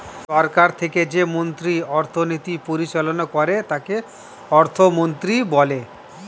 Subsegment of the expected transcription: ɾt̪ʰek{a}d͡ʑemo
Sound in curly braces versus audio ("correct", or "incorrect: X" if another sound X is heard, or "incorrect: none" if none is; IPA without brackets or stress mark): incorrect: e